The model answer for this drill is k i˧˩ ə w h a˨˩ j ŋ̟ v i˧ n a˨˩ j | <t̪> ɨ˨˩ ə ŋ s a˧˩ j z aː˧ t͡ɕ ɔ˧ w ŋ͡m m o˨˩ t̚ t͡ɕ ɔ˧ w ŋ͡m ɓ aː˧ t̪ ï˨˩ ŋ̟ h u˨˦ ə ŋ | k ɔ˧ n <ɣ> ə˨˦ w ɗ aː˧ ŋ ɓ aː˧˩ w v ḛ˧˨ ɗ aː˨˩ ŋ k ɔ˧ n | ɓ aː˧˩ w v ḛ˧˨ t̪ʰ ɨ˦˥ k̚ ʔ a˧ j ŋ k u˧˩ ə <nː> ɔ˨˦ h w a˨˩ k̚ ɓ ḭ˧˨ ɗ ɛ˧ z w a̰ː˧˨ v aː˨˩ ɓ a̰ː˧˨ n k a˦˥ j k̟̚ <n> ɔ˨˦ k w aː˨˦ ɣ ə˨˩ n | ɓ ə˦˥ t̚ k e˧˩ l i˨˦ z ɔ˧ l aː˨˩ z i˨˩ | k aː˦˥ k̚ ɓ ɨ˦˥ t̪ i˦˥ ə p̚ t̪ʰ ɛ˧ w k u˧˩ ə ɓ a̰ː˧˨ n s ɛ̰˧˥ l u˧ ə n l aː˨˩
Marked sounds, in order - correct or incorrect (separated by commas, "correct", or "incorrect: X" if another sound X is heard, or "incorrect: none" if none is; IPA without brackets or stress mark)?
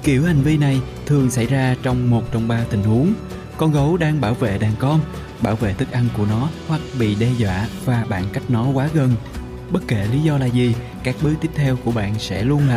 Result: incorrect: t̪ʰ, correct, incorrect: n, correct